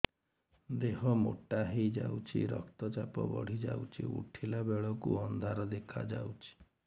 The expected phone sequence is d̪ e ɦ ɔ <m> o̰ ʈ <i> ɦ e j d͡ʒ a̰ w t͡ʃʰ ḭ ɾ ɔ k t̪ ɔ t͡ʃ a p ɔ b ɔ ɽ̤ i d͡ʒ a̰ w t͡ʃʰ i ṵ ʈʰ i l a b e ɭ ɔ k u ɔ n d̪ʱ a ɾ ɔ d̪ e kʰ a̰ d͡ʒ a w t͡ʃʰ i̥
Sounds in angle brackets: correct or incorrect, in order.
correct, incorrect: a

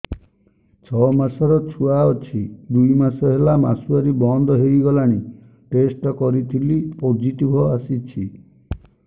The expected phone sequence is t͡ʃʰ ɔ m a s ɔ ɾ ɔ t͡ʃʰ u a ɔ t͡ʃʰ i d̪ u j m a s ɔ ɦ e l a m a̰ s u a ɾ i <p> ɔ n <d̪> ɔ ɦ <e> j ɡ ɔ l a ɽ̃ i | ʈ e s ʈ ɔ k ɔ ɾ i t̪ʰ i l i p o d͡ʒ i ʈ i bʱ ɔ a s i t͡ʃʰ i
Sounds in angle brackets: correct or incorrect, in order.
incorrect: b, correct, correct

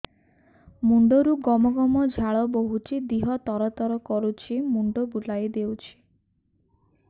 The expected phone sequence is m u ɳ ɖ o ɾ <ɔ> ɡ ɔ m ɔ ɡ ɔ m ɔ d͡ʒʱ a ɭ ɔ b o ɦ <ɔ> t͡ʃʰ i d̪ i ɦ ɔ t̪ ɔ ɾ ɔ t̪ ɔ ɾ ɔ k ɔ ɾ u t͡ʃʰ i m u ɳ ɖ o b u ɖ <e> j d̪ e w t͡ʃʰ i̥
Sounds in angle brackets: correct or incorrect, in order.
incorrect: u, incorrect: u, incorrect: a

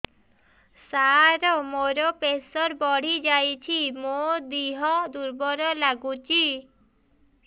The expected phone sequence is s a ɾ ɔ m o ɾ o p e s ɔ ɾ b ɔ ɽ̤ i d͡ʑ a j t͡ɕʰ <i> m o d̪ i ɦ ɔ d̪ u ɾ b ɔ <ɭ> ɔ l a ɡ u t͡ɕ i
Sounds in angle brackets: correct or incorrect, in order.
correct, incorrect: ɾ

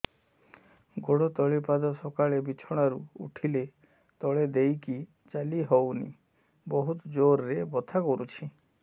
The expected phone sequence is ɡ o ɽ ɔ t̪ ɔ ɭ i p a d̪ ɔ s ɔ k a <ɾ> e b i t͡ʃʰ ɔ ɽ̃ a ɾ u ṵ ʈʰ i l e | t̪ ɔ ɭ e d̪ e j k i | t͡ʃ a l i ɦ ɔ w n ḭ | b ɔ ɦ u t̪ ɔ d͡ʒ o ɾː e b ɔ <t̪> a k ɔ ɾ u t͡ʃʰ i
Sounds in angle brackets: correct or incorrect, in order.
incorrect: ɭ, incorrect: t̪ʰ

